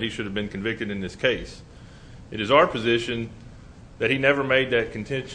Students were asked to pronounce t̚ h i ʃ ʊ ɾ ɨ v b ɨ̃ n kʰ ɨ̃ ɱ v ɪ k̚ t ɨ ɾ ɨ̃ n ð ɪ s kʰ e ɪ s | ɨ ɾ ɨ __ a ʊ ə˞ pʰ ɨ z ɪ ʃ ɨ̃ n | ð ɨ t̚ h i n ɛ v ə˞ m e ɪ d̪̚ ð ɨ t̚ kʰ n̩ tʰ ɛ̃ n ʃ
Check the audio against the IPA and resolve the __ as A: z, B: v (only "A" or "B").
A